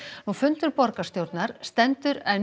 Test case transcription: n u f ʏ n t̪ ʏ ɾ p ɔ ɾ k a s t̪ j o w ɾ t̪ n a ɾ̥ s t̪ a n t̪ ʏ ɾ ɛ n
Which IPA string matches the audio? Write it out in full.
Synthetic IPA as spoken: n u f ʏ n t̪ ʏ ɾ p ɔ ɾ k a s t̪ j o w ɾ t̪ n a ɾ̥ s t̪ ɛ n t̪ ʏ ɾ ɛ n